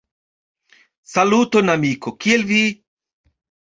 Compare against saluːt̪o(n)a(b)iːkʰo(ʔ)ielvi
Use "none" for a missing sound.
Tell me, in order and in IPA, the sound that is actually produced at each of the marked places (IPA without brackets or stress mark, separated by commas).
n, m, k